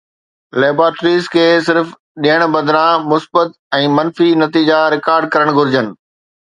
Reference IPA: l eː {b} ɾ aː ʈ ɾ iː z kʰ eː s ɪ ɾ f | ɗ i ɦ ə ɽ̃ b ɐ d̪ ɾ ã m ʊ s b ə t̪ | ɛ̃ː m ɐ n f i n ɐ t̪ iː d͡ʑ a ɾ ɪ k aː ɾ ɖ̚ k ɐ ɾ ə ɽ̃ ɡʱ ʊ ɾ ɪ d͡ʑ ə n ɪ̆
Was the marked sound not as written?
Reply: no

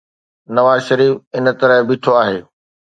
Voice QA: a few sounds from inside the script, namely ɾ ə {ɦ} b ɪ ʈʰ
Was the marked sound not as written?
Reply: no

